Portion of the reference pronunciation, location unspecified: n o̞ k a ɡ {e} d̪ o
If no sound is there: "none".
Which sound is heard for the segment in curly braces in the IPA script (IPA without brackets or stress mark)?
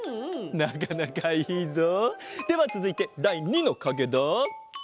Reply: e